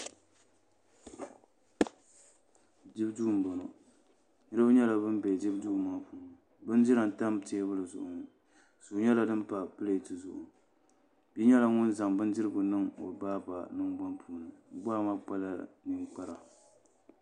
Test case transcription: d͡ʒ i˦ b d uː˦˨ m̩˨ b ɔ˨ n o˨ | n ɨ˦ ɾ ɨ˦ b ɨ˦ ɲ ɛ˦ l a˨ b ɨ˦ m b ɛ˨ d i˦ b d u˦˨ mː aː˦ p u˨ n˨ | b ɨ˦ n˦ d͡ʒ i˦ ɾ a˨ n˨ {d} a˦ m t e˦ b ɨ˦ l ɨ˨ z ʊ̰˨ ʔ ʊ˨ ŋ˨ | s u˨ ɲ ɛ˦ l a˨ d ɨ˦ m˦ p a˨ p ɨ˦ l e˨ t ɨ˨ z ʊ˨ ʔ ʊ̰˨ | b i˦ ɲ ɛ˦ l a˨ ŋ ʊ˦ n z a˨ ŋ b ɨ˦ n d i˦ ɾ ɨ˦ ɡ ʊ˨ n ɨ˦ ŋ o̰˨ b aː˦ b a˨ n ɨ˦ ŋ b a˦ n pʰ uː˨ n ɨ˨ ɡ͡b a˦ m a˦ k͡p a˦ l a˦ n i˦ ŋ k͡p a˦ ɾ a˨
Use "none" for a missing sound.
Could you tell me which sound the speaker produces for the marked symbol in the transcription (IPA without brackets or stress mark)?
t